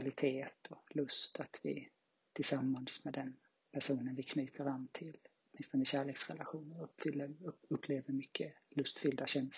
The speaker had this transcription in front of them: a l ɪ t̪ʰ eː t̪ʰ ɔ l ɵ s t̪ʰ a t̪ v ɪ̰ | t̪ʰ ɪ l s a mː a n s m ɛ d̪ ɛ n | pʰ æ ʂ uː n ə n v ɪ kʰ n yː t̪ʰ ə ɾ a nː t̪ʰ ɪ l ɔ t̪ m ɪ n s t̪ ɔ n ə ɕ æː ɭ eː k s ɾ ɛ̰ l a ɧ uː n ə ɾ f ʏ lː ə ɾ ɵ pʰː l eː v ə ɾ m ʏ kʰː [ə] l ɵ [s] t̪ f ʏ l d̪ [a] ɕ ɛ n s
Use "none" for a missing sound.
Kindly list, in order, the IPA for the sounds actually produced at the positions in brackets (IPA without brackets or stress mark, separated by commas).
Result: ə, s, a